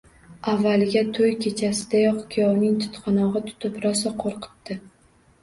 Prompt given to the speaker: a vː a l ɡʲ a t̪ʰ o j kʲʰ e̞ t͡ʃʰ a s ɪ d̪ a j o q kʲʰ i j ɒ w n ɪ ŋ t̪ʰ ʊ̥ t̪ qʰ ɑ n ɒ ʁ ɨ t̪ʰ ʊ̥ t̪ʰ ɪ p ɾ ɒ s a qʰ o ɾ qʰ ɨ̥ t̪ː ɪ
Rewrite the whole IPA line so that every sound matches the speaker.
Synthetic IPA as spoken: a vː a l ɡʲ a t̪ʰ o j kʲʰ e̞ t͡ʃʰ a s ɪ d̪ a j ɒ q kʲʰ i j ɒ w n ɪ ŋ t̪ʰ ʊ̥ t̪ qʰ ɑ n ɒ ʁ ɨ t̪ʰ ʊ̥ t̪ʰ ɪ p ɾ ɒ s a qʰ o ɾ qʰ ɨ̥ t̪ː ɪ